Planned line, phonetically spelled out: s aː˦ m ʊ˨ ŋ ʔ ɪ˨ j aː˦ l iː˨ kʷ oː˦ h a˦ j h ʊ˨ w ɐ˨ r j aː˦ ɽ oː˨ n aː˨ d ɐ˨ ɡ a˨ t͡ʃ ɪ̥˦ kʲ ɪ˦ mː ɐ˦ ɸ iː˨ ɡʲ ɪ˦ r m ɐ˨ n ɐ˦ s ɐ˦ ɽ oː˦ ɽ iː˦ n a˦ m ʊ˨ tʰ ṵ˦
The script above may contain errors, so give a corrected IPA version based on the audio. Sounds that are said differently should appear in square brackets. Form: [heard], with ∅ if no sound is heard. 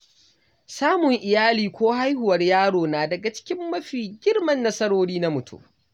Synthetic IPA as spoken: s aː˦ m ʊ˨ ŋ ʔ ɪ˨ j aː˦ l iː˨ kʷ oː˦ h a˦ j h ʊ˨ w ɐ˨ r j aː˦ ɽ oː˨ n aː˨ d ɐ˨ ɡ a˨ t͡ʃ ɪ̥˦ kʲ ɪ˦ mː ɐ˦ ɸ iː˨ ɡʲ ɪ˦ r m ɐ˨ [nː] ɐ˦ s ɐ˦ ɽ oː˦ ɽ iː˦ n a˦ m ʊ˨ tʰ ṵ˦